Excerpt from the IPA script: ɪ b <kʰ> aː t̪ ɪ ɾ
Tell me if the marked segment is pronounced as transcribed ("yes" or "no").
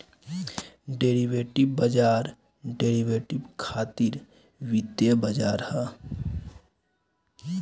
yes